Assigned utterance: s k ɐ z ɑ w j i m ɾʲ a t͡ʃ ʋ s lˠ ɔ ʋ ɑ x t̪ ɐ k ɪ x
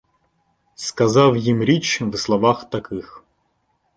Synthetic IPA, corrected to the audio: s k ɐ z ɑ w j i m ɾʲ i t͡ʃ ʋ s lˠ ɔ ʋ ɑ x t̪ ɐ k ɪ x